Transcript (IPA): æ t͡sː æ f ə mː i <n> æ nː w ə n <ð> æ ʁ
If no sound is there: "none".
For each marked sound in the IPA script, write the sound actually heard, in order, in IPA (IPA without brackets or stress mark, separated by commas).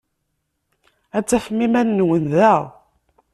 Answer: m, ð